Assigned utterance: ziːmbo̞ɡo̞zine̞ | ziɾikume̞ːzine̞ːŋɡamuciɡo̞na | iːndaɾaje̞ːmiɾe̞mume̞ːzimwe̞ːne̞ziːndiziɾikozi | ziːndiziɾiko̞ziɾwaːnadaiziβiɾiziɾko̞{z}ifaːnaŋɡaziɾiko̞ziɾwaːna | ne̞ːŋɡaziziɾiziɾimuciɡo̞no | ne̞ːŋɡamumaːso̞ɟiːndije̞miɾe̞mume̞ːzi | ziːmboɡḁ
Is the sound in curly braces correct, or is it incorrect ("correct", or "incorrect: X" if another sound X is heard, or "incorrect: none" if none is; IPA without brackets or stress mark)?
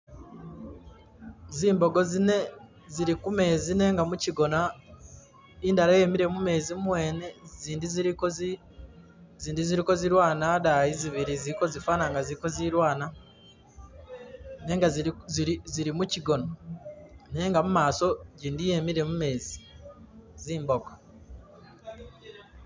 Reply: correct